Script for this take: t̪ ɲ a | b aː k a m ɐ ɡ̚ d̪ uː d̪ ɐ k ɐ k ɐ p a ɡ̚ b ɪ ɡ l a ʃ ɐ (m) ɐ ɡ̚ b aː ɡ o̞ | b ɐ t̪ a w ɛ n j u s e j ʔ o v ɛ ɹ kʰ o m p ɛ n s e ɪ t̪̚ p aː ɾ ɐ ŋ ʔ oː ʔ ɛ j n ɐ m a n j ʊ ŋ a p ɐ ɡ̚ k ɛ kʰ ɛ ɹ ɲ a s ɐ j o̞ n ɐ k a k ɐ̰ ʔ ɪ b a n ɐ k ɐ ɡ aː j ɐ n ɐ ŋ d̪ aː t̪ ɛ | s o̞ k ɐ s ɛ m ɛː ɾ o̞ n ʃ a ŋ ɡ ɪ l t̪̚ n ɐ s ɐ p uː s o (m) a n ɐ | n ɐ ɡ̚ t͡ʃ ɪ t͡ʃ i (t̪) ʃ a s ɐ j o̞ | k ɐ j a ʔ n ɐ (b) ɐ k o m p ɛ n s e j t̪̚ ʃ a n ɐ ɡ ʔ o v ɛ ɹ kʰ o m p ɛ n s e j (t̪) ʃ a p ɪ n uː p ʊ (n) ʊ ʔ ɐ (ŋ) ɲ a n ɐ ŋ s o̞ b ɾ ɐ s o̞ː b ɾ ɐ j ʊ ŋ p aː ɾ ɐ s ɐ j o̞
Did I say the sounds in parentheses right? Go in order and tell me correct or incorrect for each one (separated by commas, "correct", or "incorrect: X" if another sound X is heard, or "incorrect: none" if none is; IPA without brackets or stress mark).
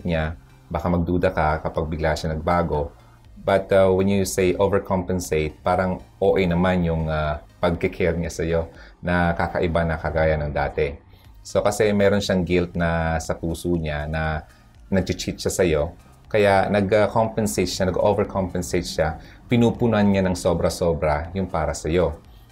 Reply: incorrect: n, incorrect: ɲ, correct, incorrect: ɡ, correct, correct, incorrect: n